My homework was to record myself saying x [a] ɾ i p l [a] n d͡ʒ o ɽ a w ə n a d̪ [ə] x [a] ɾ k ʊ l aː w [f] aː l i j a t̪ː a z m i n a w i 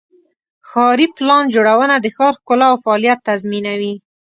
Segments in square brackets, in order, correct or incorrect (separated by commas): incorrect, incorrect, correct, incorrect, correct